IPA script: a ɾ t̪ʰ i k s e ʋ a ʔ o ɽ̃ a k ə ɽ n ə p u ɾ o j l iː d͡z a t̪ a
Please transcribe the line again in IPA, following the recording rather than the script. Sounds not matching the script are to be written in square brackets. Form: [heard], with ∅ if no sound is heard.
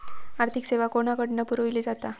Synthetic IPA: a ɾ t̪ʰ i k s e ʋ a [k] o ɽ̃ a k ə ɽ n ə p u ɾ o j l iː d͡z a t̪ a